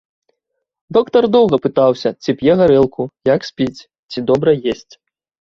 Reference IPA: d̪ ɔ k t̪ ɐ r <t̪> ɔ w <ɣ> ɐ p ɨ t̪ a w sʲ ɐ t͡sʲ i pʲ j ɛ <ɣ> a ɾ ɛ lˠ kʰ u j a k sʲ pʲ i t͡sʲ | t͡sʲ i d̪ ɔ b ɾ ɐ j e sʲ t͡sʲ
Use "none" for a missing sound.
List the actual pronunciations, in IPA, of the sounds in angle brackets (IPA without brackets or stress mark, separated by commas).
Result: d̪, ɣ, ɣ